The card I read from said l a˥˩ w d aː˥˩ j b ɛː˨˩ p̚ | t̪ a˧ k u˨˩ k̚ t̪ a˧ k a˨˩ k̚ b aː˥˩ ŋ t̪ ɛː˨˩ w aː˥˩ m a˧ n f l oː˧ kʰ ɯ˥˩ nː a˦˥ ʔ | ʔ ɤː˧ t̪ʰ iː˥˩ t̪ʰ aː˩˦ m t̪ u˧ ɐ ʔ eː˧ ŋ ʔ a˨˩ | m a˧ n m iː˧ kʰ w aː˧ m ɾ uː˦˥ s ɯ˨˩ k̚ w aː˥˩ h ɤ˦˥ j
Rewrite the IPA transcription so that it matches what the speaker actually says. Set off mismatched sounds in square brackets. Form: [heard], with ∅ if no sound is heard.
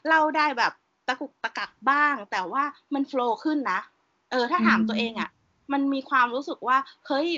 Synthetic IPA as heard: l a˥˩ w d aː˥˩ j b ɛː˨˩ p̚ | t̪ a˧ k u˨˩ k̚ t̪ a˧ k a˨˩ k̚ b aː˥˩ ŋ t̪ ɛː˨˩ w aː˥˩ m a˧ n f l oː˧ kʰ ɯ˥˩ nː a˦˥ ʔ | ʔ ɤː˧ t̪ʰ [aː˥˩] t̪ʰ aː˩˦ m t̪ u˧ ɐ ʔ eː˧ ŋ ʔ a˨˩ | m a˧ n m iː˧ kʰ w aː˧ m ɾ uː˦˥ s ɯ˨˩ k̚ w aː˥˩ h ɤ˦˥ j